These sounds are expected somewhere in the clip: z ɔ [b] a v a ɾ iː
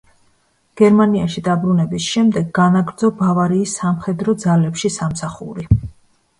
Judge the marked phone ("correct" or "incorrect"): correct